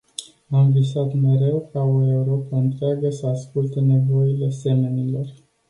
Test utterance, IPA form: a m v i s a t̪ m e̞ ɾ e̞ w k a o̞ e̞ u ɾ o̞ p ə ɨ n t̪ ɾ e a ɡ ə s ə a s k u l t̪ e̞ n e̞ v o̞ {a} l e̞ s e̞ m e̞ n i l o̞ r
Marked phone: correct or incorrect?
incorrect